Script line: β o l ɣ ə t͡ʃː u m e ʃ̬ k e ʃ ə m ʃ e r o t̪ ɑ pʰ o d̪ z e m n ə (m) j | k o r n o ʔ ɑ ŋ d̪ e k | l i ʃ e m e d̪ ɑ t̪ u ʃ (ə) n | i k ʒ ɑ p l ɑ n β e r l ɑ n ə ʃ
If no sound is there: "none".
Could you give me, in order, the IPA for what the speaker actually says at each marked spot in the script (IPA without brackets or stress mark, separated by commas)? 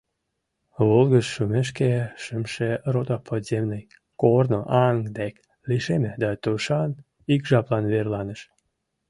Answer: none, ɑ